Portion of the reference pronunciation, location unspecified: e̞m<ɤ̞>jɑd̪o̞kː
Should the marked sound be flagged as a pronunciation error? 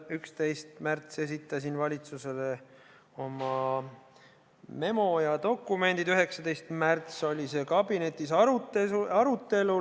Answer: yes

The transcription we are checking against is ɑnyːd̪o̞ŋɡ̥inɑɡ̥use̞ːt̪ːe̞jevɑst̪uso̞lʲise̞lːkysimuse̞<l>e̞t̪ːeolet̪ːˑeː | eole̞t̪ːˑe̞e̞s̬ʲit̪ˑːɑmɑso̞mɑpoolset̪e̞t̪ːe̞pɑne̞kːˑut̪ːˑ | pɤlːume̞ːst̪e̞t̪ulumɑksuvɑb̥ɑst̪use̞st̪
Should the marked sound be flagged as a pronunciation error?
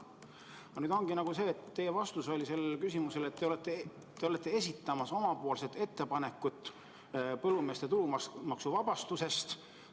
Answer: no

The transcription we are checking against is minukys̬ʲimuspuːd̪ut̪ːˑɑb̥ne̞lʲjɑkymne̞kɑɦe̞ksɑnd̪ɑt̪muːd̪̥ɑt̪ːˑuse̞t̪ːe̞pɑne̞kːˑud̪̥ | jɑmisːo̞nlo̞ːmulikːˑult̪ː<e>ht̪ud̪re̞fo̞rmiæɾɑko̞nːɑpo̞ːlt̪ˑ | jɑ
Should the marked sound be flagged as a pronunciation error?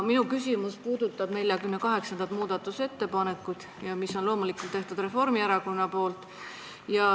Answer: no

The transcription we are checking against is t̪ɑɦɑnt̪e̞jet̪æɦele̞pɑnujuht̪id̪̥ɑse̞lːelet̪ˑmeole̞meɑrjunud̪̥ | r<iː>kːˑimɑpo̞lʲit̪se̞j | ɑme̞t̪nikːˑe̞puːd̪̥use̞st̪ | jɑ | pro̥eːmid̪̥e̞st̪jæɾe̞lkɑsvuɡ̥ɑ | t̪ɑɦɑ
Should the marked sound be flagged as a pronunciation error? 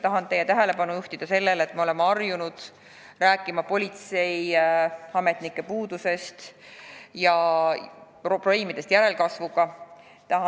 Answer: yes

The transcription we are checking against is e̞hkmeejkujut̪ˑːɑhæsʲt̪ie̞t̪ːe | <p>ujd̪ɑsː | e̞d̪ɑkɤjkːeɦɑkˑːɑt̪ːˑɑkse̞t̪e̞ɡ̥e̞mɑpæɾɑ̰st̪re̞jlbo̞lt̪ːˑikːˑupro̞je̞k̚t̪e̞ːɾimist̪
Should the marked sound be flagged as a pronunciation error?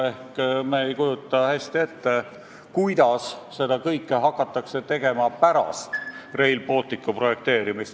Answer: yes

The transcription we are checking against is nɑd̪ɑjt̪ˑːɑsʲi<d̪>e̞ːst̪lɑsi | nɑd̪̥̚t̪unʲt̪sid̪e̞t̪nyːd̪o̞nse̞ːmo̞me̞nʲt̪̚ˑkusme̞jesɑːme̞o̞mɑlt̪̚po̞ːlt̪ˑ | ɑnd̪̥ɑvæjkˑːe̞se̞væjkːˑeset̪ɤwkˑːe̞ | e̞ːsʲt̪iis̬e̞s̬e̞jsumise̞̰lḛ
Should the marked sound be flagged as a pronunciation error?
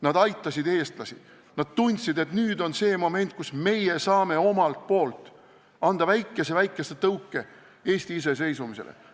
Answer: no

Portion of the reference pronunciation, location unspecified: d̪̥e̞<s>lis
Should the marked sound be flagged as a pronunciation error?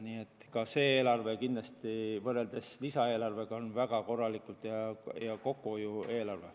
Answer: no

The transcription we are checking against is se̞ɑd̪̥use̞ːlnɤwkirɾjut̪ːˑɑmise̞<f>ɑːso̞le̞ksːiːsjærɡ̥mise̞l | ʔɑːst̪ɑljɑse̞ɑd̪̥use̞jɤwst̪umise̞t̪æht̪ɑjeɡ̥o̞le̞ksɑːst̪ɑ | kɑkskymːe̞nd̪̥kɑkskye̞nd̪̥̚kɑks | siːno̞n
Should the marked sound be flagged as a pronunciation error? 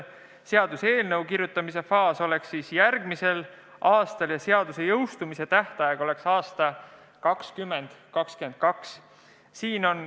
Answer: no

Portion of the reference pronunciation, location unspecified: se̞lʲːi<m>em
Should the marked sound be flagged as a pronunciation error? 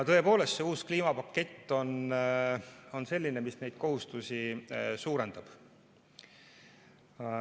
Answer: yes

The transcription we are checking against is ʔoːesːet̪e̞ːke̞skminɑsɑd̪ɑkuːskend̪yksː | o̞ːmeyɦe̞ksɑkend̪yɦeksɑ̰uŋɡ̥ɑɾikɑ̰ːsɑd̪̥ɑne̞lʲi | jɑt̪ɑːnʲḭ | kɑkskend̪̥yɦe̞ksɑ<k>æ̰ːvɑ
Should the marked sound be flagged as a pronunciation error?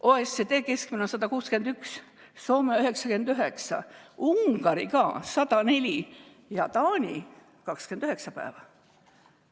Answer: yes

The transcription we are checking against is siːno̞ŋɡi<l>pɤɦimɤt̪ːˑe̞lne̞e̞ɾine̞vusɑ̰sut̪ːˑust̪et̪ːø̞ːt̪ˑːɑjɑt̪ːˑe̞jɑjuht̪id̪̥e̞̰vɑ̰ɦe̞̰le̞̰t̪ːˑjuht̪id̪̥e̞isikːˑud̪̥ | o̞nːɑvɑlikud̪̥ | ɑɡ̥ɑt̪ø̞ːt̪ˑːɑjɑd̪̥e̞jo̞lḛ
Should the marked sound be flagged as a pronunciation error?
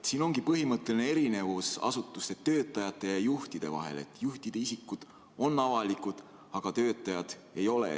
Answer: yes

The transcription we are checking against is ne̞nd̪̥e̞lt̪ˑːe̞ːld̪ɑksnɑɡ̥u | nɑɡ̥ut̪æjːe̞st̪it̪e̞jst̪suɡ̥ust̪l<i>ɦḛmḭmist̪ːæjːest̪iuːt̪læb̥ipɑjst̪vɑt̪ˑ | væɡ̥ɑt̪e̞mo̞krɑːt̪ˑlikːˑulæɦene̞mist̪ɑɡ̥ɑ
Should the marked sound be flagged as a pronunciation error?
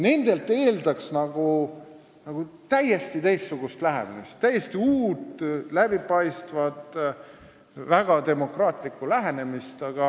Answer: yes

